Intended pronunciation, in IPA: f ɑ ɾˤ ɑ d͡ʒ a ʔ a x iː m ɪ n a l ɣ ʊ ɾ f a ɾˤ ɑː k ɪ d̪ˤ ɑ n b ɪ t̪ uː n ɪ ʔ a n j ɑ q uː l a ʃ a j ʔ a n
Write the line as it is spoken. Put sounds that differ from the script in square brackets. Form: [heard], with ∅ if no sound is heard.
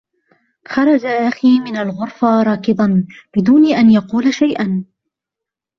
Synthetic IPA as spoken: [x] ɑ ɾˤ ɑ d͡ʒ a ʔ a x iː m ɪ n a l ɣ ʊ ɾ f a ɾˤ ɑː k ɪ d̪ˤ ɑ n b ɪ [d̪] uː n ɪ ʔ a n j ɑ q uː l a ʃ a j ʔ a n